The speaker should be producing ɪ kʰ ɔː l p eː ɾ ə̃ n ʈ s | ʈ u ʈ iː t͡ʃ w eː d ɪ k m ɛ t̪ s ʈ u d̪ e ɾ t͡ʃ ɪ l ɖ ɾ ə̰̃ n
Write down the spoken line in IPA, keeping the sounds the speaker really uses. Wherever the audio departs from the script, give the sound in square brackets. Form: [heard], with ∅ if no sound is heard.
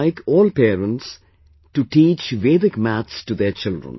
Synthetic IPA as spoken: ɪ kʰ ɔː l p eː ɾ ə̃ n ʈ s | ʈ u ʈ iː t͡ʃ [ʋ] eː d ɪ k m [æ] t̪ s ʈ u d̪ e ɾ t͡ʃ ɪ l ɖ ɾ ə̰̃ n